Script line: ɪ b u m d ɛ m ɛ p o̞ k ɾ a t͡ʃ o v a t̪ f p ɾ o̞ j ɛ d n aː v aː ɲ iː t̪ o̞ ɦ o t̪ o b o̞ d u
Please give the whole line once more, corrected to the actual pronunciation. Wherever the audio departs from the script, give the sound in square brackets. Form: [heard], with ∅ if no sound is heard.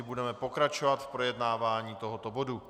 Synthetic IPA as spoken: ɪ b u [∅] d ɛ m ɛ p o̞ k ɾ a t͡ʃ o v a t̪ f p ɾ o̞ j ɛ d n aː v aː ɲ iː t̪ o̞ ɦ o t̪ o b o̞ d u